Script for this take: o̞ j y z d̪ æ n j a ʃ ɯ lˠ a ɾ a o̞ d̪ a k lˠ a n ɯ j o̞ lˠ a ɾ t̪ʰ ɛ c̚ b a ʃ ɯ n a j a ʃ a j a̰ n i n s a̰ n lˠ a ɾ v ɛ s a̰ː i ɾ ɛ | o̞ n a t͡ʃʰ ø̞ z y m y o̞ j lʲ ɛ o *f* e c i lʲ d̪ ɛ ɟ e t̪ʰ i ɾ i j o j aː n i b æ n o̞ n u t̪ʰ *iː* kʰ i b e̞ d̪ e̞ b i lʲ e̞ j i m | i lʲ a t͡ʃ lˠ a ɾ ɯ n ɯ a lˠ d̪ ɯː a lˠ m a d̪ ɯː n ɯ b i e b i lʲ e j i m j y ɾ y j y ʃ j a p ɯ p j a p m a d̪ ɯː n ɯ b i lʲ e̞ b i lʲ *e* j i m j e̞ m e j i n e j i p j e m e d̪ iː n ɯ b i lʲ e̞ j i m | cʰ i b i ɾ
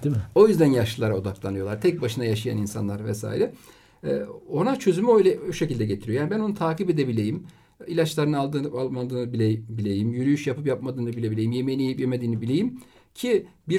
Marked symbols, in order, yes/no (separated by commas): no, no, yes